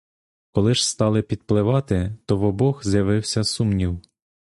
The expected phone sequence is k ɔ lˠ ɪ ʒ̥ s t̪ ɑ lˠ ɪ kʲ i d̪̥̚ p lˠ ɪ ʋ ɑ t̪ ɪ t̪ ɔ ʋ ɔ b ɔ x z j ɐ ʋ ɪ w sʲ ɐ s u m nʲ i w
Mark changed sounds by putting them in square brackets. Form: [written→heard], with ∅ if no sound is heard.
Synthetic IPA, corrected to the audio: k ɔ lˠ ɪ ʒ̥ s t̪ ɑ lˠ ɪ [kʲ→pʲ] i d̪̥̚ p lˠ ɪ ʋ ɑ t̪ ɪ t̪ ɔ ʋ ɔ b ɔ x z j ɐ ʋ ɪ w sʲ ɐ s u m nʲ i w